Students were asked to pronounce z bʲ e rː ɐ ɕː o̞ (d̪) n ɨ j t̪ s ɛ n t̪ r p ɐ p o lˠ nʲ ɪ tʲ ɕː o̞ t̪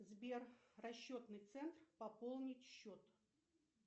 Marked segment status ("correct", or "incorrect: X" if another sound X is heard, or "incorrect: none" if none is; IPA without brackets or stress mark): incorrect: t̪